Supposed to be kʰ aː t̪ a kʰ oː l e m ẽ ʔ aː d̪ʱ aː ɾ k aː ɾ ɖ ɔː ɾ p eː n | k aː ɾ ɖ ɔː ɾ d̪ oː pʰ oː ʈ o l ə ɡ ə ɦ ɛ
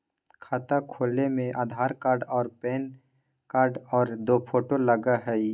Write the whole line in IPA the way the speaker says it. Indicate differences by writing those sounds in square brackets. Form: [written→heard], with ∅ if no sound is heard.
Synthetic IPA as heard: kʰ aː t̪ a kʰ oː l e m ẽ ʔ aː d̪ʱ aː ɾ k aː ɾ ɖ ɔː ɾ p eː n | k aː ɾ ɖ ɔː ɾ d̪ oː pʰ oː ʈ o l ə ɡ [ə→a] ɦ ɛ